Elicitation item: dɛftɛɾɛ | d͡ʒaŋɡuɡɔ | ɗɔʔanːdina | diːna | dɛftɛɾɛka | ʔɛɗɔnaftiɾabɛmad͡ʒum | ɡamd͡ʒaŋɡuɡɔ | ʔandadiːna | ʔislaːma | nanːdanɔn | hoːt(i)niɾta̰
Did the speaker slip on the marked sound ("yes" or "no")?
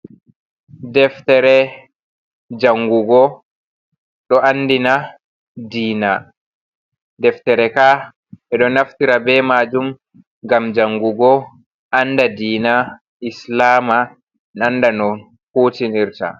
no